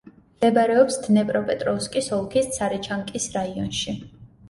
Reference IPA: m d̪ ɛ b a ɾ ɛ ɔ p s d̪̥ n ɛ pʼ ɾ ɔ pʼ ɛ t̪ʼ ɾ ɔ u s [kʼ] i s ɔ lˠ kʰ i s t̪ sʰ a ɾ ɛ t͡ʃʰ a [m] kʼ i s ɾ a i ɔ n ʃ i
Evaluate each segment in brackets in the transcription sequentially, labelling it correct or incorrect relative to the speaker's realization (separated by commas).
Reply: correct, incorrect